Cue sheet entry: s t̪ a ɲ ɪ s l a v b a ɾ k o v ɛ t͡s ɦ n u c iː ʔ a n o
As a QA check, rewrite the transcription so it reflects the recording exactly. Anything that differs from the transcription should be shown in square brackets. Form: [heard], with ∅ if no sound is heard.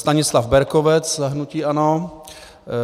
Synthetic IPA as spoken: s t̪ a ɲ ɪ s l a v b [ɛ] ɾ k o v ɛ t͡s ɦ n u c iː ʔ a n o